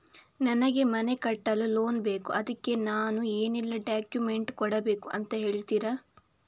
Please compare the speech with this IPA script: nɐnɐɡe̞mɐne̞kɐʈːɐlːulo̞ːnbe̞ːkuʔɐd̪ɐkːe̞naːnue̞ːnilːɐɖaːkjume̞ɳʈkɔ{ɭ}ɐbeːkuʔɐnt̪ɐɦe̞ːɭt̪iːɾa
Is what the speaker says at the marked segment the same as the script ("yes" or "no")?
no